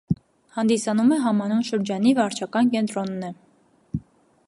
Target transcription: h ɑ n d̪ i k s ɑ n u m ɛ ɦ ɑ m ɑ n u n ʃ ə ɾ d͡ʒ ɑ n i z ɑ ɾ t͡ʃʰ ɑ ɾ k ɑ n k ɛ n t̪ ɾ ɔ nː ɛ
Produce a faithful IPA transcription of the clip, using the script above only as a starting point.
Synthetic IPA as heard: h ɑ n d̪ i s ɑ n u m ɛ ɦ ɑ m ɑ n u n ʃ ə ɾ d͡ʒ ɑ n i v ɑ ɾ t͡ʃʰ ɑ k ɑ n k ɛ n t̪ ɾ ɔ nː ɛ